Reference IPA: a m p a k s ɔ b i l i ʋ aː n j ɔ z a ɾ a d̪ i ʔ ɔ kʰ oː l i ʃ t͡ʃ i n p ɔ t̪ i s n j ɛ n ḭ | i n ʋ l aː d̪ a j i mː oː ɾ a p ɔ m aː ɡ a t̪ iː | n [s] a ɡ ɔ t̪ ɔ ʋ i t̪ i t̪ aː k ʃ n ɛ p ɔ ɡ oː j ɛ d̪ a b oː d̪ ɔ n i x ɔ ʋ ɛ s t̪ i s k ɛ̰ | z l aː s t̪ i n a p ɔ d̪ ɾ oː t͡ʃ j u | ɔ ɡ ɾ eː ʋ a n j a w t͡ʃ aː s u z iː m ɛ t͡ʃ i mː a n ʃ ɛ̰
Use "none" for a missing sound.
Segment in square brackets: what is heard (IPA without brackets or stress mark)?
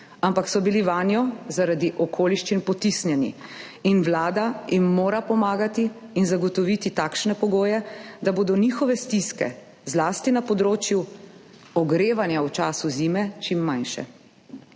z